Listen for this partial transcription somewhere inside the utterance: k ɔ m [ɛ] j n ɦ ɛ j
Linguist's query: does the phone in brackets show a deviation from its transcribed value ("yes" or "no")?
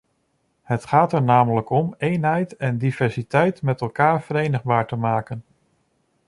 yes